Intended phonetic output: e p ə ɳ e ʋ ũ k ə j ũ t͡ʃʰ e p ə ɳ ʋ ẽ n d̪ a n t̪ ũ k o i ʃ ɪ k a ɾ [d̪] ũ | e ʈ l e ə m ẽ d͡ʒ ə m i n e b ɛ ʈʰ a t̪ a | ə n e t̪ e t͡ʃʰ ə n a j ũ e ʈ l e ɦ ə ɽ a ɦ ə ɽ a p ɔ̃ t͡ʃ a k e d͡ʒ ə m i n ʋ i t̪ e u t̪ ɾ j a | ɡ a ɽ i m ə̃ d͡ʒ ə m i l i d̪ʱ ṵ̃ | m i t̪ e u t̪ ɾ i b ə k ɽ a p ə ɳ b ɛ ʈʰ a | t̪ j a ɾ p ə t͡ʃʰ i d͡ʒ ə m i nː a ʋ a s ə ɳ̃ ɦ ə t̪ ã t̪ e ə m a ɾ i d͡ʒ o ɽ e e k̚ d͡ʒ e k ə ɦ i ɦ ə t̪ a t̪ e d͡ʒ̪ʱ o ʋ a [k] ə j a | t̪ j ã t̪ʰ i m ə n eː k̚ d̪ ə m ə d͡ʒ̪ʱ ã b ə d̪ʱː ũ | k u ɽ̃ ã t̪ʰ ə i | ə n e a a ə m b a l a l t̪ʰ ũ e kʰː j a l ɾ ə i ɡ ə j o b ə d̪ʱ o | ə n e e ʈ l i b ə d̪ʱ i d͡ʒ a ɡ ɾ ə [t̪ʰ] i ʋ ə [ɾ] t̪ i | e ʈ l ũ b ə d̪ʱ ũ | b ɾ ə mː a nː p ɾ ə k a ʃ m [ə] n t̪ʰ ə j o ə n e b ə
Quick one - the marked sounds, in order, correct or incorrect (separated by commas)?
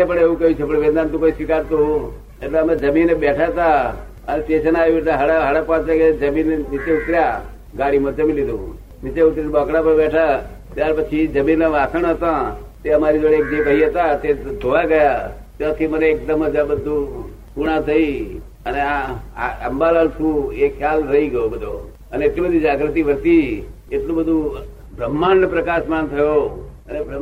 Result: incorrect, incorrect, incorrect, correct, incorrect